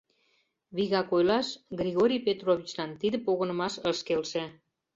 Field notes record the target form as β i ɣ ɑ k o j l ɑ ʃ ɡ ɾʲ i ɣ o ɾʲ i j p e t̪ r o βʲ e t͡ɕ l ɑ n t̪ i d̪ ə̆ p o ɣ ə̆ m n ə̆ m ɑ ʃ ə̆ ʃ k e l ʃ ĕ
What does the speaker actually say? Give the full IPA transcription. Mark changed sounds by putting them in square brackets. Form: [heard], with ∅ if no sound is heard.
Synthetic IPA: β i ɣ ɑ k o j l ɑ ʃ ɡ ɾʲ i ɣ o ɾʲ i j p e t̪ r o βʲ [i] t͡ɕ l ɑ n t̪ i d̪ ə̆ p o ɣ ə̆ [∅] n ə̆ m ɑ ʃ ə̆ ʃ k e l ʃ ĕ